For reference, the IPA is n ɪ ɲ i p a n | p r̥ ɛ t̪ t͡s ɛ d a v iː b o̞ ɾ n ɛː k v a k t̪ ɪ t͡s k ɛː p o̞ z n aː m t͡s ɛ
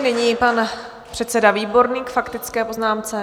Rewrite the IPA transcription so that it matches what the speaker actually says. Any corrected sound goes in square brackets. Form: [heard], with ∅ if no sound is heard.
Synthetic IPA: n ɪ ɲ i p a n | p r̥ ɛ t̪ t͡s ɛ d a v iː b o̞ ɾ n [iː] k [f] a k t̪ ɪ t͡s k ɛː p o̞ z n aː m t͡s ɛ